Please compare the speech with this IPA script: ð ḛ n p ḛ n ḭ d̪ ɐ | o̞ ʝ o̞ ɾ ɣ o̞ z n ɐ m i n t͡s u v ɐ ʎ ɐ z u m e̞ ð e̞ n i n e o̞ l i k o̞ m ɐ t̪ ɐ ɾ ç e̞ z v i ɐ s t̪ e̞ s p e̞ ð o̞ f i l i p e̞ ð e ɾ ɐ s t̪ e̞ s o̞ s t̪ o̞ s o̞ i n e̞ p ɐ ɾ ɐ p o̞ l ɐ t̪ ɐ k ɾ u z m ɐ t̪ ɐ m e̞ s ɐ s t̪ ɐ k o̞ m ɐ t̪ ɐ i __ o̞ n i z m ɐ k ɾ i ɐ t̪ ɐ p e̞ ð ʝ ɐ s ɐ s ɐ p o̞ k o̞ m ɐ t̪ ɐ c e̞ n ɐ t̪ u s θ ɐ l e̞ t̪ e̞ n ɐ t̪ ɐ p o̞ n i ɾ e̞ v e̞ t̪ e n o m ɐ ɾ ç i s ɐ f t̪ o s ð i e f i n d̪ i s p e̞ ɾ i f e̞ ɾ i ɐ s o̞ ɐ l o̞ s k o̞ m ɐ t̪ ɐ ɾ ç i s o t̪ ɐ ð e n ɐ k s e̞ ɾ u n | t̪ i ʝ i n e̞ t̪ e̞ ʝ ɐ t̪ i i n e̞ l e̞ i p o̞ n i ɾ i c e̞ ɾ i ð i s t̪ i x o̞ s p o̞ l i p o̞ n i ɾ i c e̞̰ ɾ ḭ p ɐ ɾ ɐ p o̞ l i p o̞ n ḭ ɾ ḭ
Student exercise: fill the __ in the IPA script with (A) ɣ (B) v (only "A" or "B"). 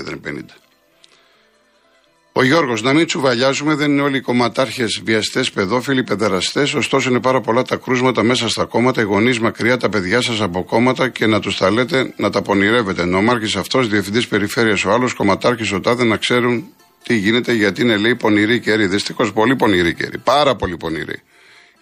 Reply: A